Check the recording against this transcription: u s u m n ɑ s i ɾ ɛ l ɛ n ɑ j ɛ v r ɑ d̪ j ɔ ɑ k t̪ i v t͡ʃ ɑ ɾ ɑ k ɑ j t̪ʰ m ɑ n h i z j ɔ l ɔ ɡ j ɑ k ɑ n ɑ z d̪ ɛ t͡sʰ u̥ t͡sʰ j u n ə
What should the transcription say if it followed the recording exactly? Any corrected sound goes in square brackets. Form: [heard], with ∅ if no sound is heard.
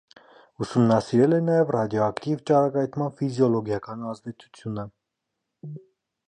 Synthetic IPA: u s u m n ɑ s i ɾ ɛ l ɛ n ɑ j ɛ v r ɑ d̪ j ɔ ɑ k t̪ i v t͡ʃ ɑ ɾ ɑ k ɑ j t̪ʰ m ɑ n [f] i z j ɔ l ɔ ɡ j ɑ k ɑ n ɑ z d̪ ɛ t͡sʰ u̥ t͡sʰ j u n ə